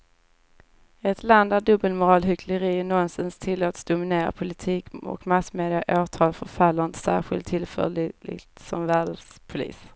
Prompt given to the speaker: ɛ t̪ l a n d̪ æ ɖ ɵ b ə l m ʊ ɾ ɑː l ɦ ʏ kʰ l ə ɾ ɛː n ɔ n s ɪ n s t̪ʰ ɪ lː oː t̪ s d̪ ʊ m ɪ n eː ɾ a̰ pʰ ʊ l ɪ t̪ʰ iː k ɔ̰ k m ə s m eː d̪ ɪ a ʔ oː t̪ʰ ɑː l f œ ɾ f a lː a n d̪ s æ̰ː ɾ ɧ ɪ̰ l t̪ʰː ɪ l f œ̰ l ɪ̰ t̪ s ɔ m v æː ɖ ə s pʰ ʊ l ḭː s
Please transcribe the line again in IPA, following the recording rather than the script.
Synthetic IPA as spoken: ɛ t̪ l a n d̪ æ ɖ ɵ b ə l m ʊ ɾ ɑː l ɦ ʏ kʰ l ə ɾ iː n ɔ n s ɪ n s t̪ʰ ɪ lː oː t̪ s d̪ ʊ m ɪ n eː ɾ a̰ pʰ ʊ l ɪ t̪ʰ iː k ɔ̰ k m a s m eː d̪ ɪ a ʔ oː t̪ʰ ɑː l f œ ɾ f a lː a n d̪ s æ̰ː ɾ ɧ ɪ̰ l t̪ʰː ɪ l f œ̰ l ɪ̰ t̪ s ɔ m v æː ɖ ə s pʰ ʊ l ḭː s